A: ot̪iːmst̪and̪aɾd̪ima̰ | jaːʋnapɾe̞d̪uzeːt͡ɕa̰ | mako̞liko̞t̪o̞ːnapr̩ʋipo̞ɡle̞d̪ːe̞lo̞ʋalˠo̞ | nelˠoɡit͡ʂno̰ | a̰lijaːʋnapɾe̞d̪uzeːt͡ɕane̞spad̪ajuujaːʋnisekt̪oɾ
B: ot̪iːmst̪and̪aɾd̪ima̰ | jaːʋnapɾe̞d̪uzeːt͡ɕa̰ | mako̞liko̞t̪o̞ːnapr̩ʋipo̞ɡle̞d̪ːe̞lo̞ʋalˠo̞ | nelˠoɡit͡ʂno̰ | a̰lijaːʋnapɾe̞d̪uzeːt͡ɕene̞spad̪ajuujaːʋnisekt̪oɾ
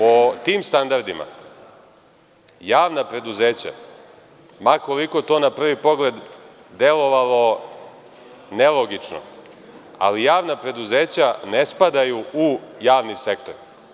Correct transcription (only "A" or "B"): A